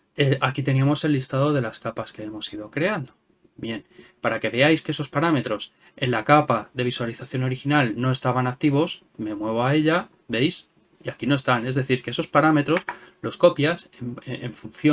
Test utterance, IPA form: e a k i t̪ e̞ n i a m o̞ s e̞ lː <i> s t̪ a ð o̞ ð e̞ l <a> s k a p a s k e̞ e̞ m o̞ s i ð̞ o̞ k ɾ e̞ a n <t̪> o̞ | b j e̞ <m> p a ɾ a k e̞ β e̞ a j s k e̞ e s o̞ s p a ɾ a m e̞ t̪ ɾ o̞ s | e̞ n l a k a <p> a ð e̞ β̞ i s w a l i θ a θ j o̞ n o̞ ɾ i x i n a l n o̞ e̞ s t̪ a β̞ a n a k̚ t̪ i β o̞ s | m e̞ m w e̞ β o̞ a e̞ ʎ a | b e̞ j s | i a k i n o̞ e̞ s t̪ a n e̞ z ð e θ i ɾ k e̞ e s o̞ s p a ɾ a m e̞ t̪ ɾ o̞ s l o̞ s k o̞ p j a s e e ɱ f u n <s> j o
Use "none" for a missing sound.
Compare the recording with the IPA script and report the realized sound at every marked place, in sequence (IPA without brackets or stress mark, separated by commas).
i, a, d̪, n, p, θ